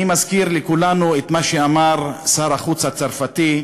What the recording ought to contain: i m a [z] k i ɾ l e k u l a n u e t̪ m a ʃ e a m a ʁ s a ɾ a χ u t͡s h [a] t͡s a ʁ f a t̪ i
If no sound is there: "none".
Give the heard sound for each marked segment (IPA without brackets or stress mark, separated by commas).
z, a